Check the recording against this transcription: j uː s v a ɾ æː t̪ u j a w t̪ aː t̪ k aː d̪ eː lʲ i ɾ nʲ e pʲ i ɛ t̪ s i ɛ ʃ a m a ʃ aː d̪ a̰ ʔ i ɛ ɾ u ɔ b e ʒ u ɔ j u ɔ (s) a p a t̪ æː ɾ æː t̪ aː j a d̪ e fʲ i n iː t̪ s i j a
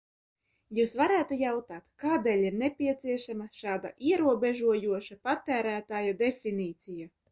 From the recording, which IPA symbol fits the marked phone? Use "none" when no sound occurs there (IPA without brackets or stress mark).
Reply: ʃ